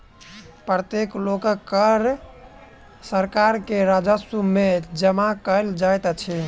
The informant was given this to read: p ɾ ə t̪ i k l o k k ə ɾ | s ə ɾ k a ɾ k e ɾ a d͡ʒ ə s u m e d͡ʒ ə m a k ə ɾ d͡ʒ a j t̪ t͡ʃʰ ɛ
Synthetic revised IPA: p ɾ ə t̪ e k l o k k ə ɾ | s ə ɾ k a ɾ k e ɾ a d͡ʒ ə s u m e d͡ʒ ə m a k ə l d͡ʒ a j t̪ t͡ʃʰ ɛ